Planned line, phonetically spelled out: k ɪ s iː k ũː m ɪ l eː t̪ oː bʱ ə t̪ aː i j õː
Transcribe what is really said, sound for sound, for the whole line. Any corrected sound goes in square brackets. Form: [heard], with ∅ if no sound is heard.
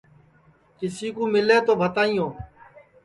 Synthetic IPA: k ɪ s iː k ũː m ɪ l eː t̪ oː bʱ ə t̪ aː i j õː